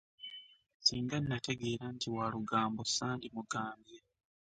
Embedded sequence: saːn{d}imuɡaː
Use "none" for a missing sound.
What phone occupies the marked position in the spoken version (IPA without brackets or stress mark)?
d